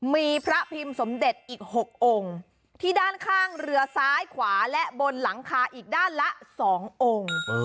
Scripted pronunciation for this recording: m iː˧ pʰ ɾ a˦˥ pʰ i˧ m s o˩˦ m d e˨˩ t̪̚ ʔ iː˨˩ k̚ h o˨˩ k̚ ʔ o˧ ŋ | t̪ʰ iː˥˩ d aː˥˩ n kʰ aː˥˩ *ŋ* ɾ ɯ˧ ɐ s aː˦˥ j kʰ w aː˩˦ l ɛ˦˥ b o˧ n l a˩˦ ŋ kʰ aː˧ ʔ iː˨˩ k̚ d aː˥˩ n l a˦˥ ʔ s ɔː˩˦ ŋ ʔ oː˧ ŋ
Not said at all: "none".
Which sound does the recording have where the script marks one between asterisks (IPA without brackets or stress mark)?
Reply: ŋ